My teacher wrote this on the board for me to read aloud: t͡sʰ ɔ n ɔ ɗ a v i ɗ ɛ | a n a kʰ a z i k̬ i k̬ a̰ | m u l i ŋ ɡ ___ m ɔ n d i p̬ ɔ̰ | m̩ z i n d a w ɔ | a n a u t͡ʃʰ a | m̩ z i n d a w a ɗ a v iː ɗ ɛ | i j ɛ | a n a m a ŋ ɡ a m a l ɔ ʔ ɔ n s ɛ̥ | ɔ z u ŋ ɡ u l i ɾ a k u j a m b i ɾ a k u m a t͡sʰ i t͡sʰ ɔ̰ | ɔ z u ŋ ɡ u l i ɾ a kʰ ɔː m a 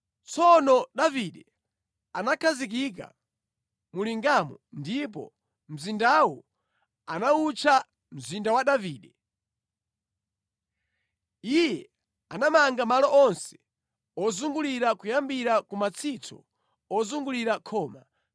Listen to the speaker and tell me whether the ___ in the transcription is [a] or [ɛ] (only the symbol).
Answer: a